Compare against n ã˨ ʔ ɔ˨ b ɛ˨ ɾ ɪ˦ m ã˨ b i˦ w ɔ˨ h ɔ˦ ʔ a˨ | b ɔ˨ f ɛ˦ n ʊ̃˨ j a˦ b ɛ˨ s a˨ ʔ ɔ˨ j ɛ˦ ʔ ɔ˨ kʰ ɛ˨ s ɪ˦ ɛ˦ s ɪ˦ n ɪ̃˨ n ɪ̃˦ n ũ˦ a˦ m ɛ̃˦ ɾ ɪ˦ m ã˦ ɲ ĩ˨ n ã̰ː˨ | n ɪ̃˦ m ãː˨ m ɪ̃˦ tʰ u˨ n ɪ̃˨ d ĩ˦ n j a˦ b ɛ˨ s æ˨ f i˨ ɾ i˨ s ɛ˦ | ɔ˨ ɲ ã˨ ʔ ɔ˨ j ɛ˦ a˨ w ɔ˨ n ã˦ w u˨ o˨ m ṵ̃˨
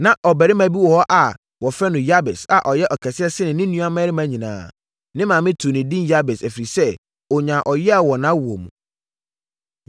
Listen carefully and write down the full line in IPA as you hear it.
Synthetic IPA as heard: n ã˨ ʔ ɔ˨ b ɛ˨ ɾ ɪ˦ m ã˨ b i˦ w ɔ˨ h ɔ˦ ʔ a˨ | w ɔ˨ f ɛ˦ n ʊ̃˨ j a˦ b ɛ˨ s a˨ ʔ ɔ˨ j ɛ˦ ʔ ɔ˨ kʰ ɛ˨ s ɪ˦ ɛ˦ s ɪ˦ n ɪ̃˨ n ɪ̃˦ n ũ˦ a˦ m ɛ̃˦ ɾ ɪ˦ m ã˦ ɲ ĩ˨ n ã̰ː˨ | n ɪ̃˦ m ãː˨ m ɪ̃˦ tʰ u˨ n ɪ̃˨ d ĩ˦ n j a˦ b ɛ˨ s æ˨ f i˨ ɾ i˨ s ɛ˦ | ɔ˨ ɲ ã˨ ʔ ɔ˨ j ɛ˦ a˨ w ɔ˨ n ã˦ w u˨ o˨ m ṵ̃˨